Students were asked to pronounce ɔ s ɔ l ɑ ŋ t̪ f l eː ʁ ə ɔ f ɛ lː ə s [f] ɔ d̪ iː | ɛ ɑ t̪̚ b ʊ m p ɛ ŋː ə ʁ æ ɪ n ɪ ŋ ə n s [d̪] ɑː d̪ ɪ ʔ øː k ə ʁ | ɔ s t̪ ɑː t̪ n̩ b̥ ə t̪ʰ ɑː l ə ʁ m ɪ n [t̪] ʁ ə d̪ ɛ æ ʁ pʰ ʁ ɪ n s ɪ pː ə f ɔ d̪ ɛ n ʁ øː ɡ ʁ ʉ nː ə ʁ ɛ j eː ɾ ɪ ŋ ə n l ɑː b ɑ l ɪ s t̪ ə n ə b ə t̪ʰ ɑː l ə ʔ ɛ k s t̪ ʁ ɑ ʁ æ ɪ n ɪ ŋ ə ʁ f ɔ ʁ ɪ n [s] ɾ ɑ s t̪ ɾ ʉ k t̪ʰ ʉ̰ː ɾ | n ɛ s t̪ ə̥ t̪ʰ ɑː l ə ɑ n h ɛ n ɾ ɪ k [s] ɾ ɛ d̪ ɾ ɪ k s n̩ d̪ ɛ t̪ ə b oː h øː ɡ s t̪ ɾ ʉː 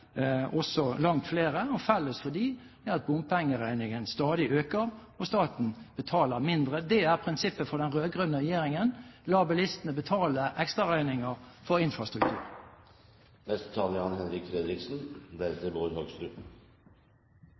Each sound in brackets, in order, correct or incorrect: correct, incorrect: t̪, incorrect: d̪, incorrect: f, incorrect: f

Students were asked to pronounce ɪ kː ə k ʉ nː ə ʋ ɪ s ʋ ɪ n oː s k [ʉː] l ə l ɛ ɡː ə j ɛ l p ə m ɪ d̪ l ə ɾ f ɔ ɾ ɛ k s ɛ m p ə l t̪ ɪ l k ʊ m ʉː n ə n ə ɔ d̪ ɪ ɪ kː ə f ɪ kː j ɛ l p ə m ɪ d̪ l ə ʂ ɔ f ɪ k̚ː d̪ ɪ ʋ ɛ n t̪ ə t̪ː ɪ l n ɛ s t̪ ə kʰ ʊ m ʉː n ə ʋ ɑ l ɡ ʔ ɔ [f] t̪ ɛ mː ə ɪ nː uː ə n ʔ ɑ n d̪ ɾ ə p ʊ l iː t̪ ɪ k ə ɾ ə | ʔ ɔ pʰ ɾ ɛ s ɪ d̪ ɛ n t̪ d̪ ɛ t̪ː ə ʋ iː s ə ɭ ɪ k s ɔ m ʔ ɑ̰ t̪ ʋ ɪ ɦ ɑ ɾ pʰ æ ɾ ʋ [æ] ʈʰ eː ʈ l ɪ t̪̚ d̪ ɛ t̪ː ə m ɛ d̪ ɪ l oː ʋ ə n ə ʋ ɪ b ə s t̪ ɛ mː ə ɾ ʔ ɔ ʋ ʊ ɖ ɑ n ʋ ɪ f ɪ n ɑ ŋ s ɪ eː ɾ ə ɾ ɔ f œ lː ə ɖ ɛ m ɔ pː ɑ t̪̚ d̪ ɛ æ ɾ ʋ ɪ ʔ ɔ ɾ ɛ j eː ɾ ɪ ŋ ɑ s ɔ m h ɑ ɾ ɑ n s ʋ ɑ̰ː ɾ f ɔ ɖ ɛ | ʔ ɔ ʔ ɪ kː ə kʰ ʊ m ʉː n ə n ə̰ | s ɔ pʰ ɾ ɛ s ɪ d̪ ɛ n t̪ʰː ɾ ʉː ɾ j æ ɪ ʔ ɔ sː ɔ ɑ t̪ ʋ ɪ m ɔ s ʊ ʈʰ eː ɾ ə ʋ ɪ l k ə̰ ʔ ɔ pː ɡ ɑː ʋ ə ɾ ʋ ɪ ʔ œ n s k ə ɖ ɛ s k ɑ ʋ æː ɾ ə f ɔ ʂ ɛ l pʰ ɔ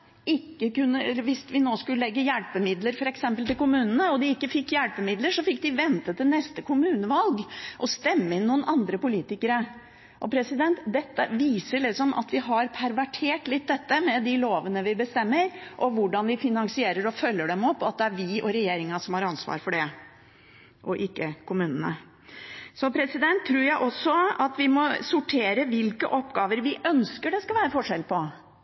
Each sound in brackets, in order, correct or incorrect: incorrect: ʉ, incorrect: s, correct

